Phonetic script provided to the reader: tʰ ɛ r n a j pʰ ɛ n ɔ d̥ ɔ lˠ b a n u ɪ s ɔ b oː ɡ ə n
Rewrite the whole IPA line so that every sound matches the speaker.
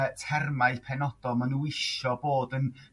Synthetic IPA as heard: tʰ ɛ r m a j pʰ ɛ n ɔ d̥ ɔ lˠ m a n u ɪ ʃ ɔ b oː d ə n